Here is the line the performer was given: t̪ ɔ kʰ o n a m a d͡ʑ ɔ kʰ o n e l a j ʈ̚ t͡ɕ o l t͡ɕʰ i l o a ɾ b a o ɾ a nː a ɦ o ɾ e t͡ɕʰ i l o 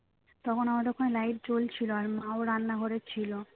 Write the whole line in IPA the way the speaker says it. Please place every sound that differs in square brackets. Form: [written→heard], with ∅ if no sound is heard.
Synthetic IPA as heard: t̪ ɔ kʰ o n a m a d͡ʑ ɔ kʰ o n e l a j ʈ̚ t͡ɕ o l t͡ɕʰ i l o a ɾ [b→m] a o ɾ a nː a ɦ o ɾ e t͡ɕʰ i l o